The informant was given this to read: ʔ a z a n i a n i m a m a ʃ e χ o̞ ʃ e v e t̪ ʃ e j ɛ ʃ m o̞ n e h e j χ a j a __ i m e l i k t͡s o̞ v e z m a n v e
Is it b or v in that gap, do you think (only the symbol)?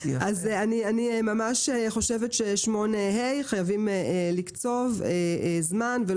v